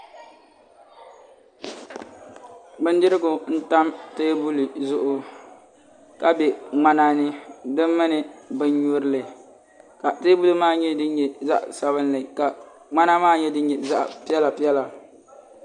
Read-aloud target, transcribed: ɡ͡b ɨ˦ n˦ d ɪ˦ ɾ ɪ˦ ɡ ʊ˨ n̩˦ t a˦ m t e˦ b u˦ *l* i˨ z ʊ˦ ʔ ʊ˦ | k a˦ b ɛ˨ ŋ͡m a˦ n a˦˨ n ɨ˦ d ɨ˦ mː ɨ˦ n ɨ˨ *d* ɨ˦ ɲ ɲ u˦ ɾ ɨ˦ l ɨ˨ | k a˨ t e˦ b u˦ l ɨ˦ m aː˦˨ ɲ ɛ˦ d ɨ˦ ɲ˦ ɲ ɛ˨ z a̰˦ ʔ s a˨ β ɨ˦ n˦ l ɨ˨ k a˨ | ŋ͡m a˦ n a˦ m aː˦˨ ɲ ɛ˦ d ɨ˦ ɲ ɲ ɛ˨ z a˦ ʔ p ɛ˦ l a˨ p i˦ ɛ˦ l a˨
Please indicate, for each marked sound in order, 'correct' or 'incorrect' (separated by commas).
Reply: correct, incorrect